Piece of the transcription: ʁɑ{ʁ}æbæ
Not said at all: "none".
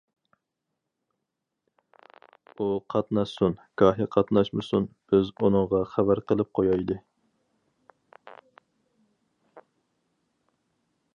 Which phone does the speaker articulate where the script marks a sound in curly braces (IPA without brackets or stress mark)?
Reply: χ